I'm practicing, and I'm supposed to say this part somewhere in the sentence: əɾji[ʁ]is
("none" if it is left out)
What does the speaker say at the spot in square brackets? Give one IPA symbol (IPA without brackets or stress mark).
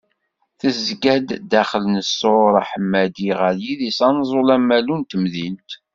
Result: ð